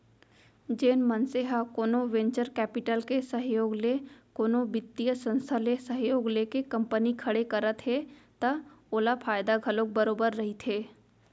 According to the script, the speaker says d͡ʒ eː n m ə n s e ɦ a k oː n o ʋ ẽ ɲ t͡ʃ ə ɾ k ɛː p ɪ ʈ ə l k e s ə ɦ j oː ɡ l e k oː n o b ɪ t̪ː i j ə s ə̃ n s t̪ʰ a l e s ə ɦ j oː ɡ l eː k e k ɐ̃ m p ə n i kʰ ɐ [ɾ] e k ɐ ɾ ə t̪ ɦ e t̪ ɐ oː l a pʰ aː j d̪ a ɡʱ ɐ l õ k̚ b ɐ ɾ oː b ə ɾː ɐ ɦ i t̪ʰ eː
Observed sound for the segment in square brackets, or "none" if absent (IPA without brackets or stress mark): ɽ